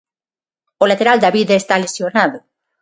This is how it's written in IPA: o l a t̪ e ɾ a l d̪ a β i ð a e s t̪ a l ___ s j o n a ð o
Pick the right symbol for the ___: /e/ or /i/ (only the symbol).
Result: e